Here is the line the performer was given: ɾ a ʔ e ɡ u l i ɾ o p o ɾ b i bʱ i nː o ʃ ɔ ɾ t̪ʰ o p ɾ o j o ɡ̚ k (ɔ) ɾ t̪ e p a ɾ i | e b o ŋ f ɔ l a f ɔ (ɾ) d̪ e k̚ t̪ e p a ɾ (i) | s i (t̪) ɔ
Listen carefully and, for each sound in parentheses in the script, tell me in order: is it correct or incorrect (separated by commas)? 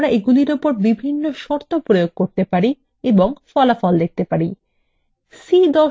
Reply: incorrect, incorrect, correct, incorrect